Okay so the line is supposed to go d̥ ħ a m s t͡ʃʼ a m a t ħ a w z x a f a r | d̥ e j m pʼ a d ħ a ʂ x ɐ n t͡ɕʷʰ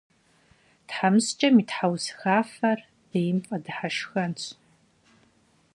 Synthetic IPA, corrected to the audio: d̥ ħ a m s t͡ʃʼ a m i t ħ a w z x a f a r | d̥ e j m pʼ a d ħ a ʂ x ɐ n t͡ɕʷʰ